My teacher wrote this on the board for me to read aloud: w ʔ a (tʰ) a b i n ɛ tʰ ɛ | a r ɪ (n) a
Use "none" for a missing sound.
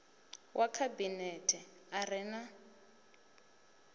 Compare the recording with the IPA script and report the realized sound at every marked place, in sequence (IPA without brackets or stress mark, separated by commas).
kʰ, n